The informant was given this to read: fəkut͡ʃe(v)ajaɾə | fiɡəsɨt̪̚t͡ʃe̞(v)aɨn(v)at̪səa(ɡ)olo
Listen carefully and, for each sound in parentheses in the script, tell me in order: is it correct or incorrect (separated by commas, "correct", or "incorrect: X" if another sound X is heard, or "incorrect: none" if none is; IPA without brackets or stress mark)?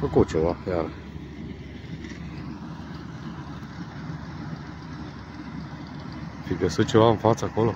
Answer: correct, correct, incorrect: f, incorrect: k